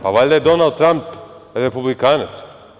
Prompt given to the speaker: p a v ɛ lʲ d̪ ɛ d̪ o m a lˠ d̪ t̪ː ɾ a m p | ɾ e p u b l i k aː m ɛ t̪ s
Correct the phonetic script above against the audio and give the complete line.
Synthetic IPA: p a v a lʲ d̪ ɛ d̪ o n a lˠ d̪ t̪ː ɾ a m p | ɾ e p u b l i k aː n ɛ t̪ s

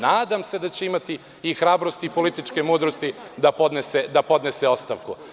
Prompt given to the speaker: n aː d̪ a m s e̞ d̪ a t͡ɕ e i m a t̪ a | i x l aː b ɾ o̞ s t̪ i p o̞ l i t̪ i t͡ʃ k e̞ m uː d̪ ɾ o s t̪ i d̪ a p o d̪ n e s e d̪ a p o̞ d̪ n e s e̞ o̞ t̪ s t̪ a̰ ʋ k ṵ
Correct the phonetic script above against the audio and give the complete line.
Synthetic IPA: n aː d̪ a m s e̞ d̪ a t͡ɕ e i m a t̪ i | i x ɾ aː b ɾ o̞ s t̪ i p o̞ l i t̪ i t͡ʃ k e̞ m uː d̪ ɾ o s t̪ i d̪ a p o d̪ n e s e d̪ a p o̞ d̪ n e s e̞ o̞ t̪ s t̪ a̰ ʋ k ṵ

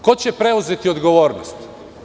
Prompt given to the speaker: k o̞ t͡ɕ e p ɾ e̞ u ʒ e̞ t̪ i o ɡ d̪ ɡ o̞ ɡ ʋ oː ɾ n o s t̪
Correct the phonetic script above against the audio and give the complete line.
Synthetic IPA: k o̞ t͡ɕ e p ɾ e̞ u z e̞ t̪ i o d̪ ɡ o̞ ʋ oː ɾ n o s t̪

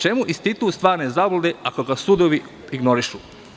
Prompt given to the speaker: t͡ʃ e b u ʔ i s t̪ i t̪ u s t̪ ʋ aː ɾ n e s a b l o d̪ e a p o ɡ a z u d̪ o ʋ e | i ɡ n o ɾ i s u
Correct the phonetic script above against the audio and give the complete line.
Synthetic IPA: t͡ʃ e m u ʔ i s t̪ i t̪ u s t̪ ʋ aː ɾ n e z a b l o d̪ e a k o ɡ a s u d̪ o ʋ i | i ɡ n o ɾ i ʃ u

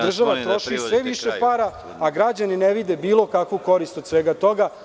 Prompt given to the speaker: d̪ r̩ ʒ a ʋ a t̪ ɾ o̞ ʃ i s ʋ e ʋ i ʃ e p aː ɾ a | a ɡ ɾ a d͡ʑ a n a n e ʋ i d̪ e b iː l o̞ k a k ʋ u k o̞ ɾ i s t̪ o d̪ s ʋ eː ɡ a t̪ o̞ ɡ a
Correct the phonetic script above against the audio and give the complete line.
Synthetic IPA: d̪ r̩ ʒ a ʋ a t̪ ɾ o̞ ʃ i s ʋ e ʋ i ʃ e p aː ɾ a | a ɡ ɾ a d͡ʑ a n i n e ʋ i d̪ e b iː l o̞ k a k ʋ u k o̞ ɾ i s t̪ o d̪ s ʋ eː ɡ a t̪ o̞ ɡ a

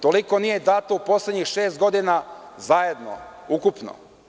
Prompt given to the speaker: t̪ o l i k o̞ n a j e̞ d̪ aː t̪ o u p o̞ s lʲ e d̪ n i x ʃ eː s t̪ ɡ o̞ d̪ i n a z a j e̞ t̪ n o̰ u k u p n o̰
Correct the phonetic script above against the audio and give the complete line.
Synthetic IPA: t̪ o l i k o̞ n i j e̞ d̪ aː t̪ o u p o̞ s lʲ e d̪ ɲ i x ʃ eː s t̪ ɡ o̞ d̪ i n a z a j e̞ d̪ n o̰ u k u p n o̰

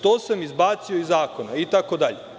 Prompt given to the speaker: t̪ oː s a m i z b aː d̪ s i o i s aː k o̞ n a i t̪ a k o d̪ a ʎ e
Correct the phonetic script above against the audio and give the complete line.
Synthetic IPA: t̪ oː s a m i z b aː t̪ s i o i z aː k o̞ n a i t̪ a k o d̪ a ʎ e

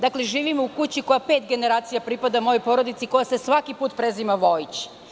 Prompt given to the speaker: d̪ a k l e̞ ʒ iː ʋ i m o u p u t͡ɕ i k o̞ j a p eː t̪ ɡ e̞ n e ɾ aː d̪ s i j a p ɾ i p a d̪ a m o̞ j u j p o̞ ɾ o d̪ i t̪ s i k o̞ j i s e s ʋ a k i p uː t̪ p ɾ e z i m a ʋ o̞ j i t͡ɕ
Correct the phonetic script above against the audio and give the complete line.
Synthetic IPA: d̪ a k l e̞ ʒ iː ʋ i m o u k u t͡ɕ i k o̞ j a p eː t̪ ɡ e̞ n e ɾ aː t̪ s i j a p ɾ i p a d̪ a m o̞ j o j p o̞ ɾ o d̪ i t̪ s i k o̞ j a s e s ʋ a k i p uː t̪ p ɾ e z i m a ʋ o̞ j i t͡ɕ

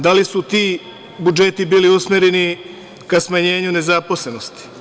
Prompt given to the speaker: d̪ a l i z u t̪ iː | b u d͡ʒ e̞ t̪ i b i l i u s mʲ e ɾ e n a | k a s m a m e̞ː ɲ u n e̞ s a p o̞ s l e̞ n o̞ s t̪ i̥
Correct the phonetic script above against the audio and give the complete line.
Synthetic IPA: d̪ a l i s u t̪ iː | b u d͡ʒ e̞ t̪ i b iː l i u s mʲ e ɾ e n i | k a s m a ɲ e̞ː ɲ u n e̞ z a p o̞ s l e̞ n o̞ s t̪ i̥

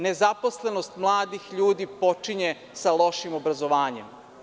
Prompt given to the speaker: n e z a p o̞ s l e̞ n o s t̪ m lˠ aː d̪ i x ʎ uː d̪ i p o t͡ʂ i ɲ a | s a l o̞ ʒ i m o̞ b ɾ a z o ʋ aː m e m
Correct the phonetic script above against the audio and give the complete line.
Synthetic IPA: n e z a p o̞ s l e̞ n o s t̪ m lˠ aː d̪ i x ʎ uː d̪ i p o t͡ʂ i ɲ e | s a l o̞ ʃ i m o̞ b ɾ a z o ʋ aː ɲ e m

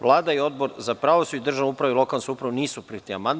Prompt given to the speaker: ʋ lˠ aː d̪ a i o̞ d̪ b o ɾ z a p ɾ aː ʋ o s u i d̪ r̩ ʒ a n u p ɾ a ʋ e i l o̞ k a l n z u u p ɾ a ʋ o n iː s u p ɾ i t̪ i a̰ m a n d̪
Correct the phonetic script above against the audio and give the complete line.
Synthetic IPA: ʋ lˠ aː d̪ a i o̞ d̪ b o ɾ z a p ɾ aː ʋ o s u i d̪ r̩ ʒ a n u p ɾ a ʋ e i l o̞ k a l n s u u p ɾ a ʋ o n iː s u p ɾ i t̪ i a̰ m a n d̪

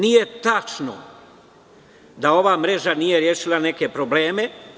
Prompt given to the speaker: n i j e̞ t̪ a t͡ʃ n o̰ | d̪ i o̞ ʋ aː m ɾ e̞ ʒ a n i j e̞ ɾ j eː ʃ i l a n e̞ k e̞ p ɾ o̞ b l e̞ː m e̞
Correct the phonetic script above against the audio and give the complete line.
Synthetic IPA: n i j e̞ t̪ a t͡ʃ n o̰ | d̪ a o̞ ʋ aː m ɾ e̞ ʒ a n i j e̞ ɾ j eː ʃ i l a n e̞ k e̞ p ɾ o̞ b l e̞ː m e̞

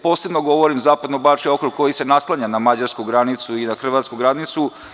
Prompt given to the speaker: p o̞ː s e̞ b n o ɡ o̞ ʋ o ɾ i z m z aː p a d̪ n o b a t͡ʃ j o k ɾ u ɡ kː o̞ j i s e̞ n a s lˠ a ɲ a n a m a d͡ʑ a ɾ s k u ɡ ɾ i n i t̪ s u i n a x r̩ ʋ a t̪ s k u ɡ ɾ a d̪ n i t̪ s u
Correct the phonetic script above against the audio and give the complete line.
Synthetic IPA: p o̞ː s e̞ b n o ɡ o̞ ʋ o ɾ i m z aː p a d̪ n o b a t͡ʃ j o k ɾ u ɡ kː o̞ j i s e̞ n a s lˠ a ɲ a n a m a d͡ʑ a ɾ s k u ɡ ɾ a n i t̪ s u i n a x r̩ ʋ a t̪ s k u ɡ ɾ a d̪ n i t̪ s u

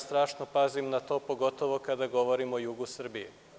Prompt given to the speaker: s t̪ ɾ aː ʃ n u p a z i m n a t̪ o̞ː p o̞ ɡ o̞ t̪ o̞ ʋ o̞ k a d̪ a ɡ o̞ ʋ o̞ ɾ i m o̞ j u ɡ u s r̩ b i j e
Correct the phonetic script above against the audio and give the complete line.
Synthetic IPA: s t̪ ɾ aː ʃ n o p a z i m n a t̪ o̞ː p o̞ ɡ o̞ t̪ o̞ ʋ o̞ k a d̪ a ɡ o̞ ʋ o̞ ɾ i m o̞ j u ɡ u s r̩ b i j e

